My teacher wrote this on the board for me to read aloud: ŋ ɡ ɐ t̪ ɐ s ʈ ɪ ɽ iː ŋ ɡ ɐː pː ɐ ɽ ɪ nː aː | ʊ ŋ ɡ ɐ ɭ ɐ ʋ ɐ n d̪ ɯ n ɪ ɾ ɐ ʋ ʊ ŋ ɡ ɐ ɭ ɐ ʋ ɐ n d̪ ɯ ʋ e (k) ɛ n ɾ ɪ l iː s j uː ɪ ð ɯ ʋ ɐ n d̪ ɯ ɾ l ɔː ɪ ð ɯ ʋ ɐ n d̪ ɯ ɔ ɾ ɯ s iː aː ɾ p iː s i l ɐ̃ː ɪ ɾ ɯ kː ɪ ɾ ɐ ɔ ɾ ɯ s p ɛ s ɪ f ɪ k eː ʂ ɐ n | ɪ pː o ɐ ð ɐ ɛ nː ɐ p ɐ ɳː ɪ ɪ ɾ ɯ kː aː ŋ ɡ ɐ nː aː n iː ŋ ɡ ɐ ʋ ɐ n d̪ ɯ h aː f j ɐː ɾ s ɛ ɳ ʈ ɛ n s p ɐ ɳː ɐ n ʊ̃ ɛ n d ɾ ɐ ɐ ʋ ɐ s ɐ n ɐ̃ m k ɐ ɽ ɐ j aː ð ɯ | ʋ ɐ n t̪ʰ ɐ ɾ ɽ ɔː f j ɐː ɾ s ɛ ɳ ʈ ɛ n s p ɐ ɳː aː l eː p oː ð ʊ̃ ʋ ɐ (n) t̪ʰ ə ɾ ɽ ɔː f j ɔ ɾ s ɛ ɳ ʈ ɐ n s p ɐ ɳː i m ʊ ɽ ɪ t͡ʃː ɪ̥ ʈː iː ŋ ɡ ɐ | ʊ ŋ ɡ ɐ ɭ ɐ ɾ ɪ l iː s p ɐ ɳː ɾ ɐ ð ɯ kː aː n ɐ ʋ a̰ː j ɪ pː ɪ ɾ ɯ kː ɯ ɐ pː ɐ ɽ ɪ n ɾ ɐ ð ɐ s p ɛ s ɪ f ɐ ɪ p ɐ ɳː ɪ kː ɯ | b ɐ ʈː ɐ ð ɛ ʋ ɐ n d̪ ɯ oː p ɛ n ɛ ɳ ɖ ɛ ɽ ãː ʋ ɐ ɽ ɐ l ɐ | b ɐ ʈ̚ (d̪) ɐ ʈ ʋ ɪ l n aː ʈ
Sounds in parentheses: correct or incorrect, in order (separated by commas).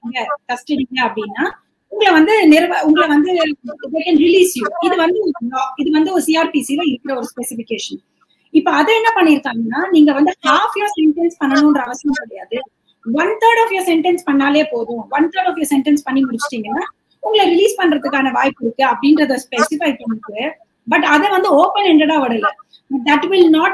correct, correct, correct